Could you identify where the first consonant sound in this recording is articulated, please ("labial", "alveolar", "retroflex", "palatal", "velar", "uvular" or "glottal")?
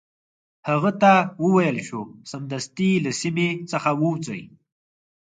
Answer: glottal